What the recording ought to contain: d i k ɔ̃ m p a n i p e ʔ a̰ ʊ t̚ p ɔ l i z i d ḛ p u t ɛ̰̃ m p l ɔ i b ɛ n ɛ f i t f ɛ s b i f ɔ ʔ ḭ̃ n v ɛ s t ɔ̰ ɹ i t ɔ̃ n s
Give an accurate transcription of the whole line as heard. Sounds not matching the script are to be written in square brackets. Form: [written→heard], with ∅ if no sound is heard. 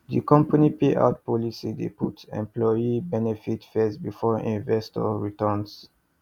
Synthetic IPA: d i k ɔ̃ m p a n i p e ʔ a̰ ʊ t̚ p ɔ l i [z→s] i d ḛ p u t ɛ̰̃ m p l ɔ i b ɛ n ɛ f i t f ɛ s b i f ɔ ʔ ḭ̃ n v ɛ s t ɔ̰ ɹ i t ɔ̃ n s

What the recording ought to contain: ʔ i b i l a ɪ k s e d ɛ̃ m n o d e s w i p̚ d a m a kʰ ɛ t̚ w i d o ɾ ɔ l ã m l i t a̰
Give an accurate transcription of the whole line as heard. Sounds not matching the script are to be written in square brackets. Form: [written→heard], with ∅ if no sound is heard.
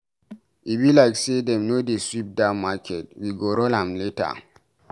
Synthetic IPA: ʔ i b i l a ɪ k s e d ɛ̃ m n o d e s w i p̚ d a m a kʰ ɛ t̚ w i [d→ɡ] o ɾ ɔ l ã m l [i→e] t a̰

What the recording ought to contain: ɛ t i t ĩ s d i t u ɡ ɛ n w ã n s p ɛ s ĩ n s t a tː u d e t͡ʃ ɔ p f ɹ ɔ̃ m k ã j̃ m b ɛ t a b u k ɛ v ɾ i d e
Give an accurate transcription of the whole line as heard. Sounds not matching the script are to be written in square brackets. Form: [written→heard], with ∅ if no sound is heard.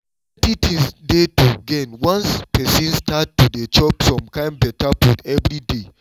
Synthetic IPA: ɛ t i t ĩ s d [i→e] t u ɡ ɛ n w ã n s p ɛ s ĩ n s t a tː u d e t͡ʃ ɔ p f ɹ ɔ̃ m k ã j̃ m b ɛ t a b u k ɛ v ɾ i d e

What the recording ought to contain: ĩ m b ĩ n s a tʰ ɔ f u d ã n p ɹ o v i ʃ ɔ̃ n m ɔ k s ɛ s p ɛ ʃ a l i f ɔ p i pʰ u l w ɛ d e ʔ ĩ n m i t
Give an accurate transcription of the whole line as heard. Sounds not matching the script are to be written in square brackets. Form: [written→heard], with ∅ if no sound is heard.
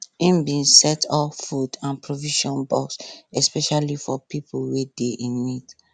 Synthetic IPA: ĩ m b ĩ n s [a→ɛ] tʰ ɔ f u d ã n p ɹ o v i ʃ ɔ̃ n [m→b] ɔ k s ɛ s p ɛ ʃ a l i f ɔ p i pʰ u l w [ɛ→e] d e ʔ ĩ n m i t

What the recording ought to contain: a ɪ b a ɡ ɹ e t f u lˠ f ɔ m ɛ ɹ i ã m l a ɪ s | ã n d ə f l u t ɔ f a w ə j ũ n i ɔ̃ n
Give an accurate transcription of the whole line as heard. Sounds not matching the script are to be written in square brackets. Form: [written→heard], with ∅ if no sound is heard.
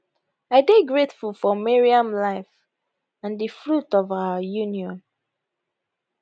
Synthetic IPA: a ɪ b [a→e] ɡ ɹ e t f u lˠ f ɔ m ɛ ɹ i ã m l a ɪ [s→f] | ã n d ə f [l→ɹ] u t ɔ [f→v] a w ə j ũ n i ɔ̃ n

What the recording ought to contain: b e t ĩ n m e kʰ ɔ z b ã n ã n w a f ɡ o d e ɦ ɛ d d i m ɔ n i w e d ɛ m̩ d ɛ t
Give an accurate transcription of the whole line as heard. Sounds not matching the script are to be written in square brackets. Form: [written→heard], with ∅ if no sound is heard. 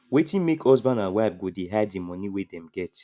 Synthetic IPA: [b→w] e t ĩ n m e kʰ ɔ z b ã n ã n w a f ɡ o d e ɦ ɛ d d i m ɔ n i w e d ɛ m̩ [d→ɡ] ɛ t

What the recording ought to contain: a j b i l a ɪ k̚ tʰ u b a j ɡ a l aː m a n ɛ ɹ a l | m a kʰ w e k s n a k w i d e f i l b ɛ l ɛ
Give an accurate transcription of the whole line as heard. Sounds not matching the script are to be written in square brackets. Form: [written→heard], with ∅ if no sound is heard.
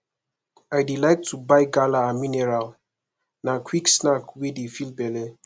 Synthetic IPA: a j [b→d] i l a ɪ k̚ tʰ u b a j ɡ a l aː m [a→i] n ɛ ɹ a l | [m→n] a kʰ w [e→i] k s n a k w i d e f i l b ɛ l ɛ

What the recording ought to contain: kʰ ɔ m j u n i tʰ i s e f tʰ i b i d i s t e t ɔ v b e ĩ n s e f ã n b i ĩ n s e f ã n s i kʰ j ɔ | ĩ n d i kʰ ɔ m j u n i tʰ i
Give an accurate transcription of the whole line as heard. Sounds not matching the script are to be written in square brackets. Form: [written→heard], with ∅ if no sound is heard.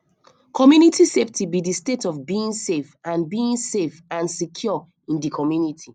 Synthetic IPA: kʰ ɔ m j u n i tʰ i s e f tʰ i b i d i s t e t ɔ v b [e→i] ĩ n s e f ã n b i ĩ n s e f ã n s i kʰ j ɔ | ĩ n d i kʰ ɔ m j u n i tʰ i

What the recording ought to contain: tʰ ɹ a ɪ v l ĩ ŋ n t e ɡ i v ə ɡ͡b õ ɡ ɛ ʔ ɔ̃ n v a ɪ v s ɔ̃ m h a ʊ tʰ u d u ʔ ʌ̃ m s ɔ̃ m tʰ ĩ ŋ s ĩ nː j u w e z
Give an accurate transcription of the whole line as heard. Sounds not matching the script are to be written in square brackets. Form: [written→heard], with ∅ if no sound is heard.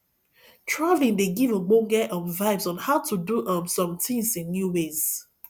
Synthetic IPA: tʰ ɹ a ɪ v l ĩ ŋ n [t→d] e ɡ i v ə ɡ͡b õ ɡ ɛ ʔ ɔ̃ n v a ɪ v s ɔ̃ [m→n] h a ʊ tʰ u d u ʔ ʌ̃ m s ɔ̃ m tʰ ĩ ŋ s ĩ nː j u w e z

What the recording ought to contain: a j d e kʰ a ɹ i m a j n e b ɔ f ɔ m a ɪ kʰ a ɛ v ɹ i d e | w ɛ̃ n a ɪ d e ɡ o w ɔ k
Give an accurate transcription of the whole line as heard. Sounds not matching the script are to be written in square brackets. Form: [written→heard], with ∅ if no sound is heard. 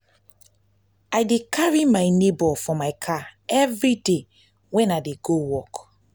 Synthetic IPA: a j d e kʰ a ɹ i m a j n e b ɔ f ɔ m a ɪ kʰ a ɛ v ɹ i d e | w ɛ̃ n a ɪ d e ɡ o w ɔ k

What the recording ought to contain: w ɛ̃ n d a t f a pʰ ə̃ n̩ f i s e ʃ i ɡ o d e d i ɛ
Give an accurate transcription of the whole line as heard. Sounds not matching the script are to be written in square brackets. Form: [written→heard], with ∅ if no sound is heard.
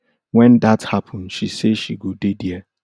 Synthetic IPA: w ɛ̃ n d a t [f→h] a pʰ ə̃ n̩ [f→ʃ] i s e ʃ i ɡ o d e d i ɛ

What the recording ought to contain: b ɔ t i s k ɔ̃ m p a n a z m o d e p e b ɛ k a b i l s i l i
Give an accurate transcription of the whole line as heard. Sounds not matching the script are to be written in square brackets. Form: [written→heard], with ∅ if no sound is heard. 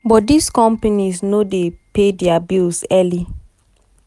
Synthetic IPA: b ɔ [t→d] i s k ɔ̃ m p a n [a→i] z [m→n] o d e p e [b→d] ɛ [k→∅] a b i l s [i→ɛ] l i

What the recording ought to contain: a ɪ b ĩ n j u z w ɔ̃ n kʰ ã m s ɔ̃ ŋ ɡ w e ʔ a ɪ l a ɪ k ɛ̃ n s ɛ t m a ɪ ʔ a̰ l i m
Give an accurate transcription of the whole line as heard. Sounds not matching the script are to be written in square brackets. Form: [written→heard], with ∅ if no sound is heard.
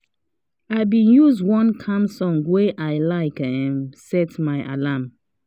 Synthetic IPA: a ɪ b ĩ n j u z w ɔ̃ n kʰ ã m s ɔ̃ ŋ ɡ w e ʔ a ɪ l a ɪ k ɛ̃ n s ɛ t m a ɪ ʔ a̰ l [i→a] m

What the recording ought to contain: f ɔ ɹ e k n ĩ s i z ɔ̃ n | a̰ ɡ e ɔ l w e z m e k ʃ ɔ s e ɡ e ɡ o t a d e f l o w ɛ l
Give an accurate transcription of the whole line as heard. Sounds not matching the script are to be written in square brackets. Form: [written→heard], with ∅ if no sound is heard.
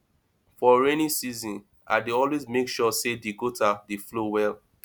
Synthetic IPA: f ɔ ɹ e [k→∅] n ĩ s i z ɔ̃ n | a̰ [ɡ→d] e ɔ l w e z m e k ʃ ɔ s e [ɡ→d] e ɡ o t a d e f l o w ɛ l

